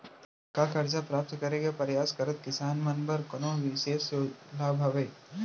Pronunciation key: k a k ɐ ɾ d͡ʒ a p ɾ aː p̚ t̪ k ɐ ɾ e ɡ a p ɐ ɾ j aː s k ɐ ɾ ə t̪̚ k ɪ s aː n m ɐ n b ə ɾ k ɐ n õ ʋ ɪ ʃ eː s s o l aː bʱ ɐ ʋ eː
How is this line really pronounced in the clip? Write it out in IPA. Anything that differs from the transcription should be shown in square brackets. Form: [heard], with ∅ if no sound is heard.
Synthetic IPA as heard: k a k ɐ ɾ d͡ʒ a p ɾ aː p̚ t̪ k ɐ ɾ e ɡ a p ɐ ɾ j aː s k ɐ ɾ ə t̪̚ k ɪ s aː n m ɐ n b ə ɾ k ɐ n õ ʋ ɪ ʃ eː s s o l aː bʱ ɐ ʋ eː